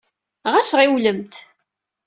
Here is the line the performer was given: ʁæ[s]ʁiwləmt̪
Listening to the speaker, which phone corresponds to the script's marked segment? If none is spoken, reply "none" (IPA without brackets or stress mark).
s